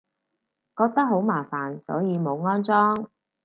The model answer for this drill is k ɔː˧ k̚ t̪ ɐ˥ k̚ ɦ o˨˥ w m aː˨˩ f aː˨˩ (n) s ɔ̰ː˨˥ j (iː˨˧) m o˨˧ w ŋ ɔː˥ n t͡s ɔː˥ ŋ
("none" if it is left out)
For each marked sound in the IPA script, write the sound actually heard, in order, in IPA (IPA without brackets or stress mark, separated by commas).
n, iː˨˧